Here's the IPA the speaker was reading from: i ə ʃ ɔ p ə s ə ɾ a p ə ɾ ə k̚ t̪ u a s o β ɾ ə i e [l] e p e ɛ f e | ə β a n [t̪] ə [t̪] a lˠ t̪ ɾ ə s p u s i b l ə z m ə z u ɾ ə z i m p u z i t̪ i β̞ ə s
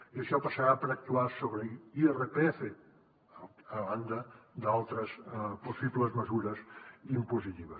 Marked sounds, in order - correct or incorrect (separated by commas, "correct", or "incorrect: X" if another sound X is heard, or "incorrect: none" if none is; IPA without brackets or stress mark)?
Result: incorrect: r, incorrect: d̪, incorrect: d̪